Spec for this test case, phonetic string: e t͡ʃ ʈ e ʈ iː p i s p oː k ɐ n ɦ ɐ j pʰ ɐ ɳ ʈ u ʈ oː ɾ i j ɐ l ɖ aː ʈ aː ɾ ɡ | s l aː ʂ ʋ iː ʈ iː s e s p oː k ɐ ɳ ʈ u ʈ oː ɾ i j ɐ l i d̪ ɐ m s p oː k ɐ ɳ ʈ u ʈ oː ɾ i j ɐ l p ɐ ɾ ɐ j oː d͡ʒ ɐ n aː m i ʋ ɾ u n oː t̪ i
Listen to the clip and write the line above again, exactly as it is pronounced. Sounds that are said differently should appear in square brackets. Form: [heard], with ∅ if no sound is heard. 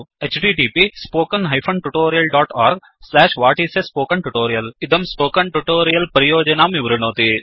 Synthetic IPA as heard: e t͡ʃ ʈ [i] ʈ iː p i s p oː k ɐ n ɦ ɐ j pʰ ɐ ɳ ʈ u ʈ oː ɾ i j ɐ l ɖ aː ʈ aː ɾ ɡ | s l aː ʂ ʋ [aː] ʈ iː s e s p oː k ɐ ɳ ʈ u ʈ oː ɾ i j ɐ l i d̪ ɐ m s p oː k ɐ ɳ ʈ u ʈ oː ɾ i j ɐ l p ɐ ɾ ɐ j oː d͡ʒ ɐ n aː m i ʋ ɾ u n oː t̪ i